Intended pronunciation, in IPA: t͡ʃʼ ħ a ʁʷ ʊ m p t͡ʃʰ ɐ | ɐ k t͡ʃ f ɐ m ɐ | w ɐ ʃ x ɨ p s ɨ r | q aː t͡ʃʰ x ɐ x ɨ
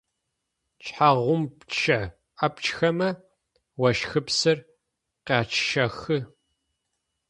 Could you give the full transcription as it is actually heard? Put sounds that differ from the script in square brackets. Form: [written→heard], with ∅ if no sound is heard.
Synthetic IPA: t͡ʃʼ ħ a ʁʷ ʊ m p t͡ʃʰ ɐ | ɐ [k→p] t͡ʃ [f→x] ɐ m ɐ | w ɐ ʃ x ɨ p s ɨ r | q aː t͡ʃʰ [x→ʃ] ɐ x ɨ